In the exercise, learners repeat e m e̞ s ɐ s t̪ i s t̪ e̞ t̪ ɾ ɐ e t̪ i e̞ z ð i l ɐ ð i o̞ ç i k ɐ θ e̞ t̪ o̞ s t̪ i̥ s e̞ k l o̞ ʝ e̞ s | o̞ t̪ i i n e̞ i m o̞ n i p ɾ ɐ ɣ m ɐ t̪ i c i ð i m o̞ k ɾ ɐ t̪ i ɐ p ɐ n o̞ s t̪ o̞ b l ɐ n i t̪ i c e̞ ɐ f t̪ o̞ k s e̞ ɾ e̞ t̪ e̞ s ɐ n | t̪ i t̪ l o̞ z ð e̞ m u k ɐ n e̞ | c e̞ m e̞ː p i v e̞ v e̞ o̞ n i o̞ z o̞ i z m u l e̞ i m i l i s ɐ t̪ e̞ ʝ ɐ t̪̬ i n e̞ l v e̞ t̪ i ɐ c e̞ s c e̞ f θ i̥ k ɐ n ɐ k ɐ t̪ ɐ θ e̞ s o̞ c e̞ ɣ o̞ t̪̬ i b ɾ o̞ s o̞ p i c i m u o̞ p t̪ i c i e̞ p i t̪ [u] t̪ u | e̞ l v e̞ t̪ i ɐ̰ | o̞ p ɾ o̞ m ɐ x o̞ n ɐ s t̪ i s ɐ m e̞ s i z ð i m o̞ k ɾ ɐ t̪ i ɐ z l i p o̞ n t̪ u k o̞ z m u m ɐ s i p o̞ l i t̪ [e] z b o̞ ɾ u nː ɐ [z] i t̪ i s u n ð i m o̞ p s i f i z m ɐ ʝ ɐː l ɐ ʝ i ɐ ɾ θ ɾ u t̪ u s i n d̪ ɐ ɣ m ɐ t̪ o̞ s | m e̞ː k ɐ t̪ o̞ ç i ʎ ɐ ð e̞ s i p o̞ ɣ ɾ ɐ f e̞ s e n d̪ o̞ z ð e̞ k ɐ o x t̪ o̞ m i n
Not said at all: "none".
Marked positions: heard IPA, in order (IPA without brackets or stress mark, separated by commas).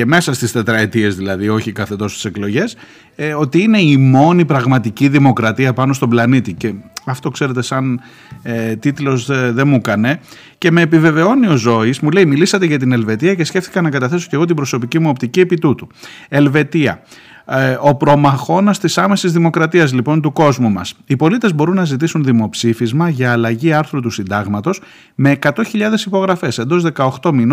u, e, z